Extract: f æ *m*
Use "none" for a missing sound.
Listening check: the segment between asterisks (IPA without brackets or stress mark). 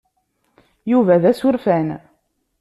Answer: n